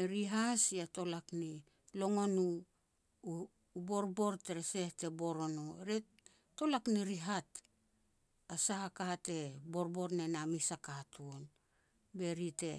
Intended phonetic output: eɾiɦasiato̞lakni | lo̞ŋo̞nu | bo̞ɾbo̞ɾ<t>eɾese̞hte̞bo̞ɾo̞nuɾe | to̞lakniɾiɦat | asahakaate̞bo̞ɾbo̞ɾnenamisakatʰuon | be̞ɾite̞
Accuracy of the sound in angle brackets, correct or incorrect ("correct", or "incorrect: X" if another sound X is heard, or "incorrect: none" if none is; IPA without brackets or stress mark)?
correct